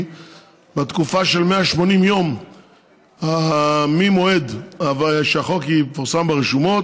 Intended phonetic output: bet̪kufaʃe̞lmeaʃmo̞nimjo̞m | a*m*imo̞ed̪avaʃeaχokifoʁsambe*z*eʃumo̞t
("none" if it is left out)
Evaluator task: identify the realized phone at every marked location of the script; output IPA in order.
m, ʁ

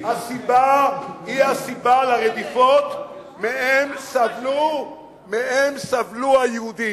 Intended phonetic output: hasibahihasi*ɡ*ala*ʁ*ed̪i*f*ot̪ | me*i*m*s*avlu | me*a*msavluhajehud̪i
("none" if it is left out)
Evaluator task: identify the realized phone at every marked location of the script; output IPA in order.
b, ʁ, f, e, s, e

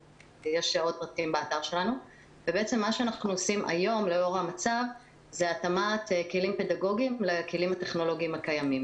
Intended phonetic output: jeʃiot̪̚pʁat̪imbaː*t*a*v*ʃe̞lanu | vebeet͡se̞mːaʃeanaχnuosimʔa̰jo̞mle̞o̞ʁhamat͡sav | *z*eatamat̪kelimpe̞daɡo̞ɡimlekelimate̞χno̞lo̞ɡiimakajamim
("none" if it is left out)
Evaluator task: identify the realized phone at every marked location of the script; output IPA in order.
t, ʁ, z

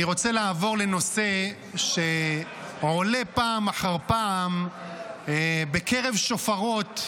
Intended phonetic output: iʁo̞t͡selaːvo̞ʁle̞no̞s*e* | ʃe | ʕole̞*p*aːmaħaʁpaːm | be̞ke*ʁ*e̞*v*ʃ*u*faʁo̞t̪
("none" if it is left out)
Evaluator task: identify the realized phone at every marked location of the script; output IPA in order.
e, p, ʁ, v, o

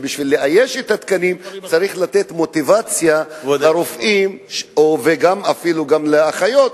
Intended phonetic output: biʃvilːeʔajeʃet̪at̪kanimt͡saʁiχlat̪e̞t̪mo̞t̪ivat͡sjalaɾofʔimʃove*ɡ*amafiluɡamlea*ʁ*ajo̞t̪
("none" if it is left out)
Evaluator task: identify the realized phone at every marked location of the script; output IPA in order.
ɡ, χ

